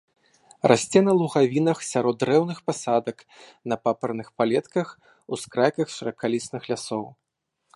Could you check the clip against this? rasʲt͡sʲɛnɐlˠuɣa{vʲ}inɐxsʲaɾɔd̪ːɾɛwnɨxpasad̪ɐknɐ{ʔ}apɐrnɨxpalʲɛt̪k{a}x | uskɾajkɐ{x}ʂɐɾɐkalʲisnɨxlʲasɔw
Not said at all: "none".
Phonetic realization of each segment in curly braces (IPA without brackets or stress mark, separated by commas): vʲ, p, ɐ, x